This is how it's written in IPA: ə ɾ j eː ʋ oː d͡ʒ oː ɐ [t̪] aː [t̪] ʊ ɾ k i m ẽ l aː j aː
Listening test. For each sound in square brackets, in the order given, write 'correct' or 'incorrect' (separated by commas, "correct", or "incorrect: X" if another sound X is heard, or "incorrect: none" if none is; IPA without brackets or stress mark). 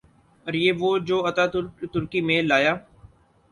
correct, correct